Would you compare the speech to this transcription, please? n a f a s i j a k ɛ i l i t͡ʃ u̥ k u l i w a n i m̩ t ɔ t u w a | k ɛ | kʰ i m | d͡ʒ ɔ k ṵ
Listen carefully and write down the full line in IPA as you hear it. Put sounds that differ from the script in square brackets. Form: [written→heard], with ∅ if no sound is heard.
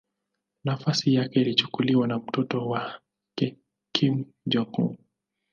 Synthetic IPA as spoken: n a f a s i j a k ɛ i l i t͡ʃ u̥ k u l i w a n [i→a] m̩ t ɔ t [u→ɔ] w a | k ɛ | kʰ i m | d͡ʒ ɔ k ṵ